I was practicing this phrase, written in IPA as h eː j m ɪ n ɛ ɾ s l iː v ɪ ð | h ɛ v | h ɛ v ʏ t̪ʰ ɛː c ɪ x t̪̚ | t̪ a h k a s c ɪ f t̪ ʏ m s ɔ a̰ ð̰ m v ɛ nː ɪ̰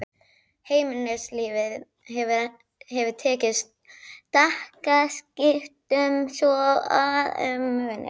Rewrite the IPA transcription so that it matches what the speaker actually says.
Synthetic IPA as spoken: h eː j m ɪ n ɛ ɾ s l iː v ɪ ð | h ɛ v | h ɛ v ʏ t̪ʰ ɛː c ɪ s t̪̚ | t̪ a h k a s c ɪ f t̪ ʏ m s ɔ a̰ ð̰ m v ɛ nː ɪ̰